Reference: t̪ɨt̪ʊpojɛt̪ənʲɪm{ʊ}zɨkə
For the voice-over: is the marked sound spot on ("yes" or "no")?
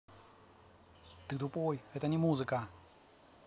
no